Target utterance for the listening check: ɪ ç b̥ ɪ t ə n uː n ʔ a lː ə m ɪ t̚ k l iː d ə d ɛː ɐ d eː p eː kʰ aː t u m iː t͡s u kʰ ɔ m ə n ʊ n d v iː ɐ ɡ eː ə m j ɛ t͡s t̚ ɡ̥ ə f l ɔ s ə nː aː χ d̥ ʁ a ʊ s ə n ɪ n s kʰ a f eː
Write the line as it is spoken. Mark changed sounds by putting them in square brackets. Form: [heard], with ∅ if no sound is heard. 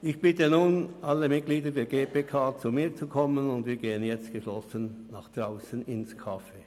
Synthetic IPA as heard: ɪ ç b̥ ɪ t ə n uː n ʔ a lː ə m ɪ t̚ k l iː d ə d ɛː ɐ [ɡ] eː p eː kʰ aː [t͡s] u m iː t͡s u kʰ ɔ m ə n ʊ n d v iː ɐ ɡ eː ə [n] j ɛ t͡s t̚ ɡ̥ ə [ʃ] l ɔ s ə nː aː χ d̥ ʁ a ʊ s ə n ɪ n s kʰ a f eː